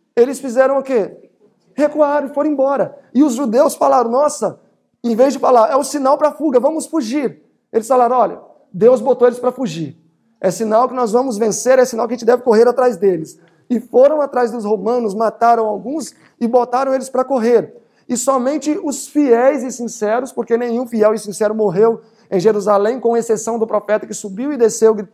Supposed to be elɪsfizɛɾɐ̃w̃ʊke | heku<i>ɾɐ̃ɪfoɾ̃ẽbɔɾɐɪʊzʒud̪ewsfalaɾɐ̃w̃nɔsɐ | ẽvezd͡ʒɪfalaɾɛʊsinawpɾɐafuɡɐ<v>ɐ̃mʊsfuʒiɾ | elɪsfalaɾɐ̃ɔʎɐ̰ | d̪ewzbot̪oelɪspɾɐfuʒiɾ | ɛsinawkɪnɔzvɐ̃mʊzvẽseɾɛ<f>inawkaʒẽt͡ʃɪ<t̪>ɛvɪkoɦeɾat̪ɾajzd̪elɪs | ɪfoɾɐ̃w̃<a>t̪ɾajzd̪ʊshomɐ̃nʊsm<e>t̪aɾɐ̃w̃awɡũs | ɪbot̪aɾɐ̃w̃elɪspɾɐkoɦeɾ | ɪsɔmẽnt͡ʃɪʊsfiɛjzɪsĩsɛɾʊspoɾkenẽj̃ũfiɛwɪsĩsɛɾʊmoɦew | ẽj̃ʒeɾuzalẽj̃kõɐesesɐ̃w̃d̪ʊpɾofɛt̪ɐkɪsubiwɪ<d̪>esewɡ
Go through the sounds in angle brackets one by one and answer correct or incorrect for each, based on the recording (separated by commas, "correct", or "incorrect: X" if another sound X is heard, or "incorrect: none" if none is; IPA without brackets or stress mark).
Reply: incorrect: a, correct, incorrect: s, incorrect: d̪, correct, incorrect: a, correct